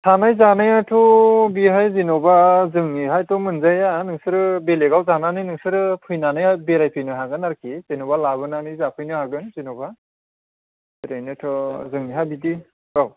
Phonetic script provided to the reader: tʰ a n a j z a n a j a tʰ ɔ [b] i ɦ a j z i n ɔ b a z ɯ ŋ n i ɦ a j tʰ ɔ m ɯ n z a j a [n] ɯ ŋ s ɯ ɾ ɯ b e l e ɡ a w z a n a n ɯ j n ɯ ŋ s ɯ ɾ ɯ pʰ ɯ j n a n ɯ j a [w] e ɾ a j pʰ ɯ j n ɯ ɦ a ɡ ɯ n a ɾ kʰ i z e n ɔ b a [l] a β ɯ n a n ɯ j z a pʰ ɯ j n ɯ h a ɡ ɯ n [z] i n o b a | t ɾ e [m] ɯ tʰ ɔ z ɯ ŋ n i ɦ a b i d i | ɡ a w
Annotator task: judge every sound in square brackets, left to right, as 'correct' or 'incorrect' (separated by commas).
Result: correct, correct, incorrect, correct, correct, incorrect